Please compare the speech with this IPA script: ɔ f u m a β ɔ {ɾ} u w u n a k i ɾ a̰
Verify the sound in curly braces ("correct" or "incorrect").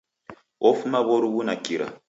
correct